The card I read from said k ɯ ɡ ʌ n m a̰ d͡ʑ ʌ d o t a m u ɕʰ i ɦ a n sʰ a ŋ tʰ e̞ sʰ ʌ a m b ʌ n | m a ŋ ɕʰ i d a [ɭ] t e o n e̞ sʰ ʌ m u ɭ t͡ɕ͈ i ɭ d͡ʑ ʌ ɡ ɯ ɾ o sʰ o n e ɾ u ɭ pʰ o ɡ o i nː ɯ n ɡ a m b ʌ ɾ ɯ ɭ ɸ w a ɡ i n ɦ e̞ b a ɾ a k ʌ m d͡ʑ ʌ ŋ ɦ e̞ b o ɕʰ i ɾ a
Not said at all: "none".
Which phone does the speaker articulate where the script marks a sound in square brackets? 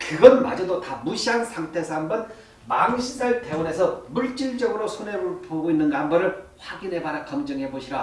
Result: ɭ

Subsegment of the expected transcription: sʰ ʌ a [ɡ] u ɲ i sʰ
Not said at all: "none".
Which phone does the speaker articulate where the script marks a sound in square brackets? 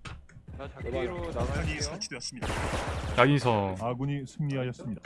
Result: ɡ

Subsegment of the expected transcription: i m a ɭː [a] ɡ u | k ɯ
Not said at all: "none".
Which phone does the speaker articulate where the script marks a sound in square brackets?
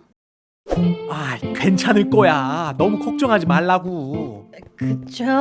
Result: a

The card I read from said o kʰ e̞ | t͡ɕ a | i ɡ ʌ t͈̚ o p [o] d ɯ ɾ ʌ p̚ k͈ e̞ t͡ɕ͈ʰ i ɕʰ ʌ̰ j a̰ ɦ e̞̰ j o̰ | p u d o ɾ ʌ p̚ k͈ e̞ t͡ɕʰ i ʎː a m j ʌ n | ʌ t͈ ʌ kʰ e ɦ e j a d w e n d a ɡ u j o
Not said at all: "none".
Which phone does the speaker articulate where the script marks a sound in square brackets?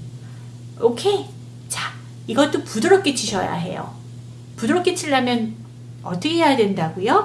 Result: u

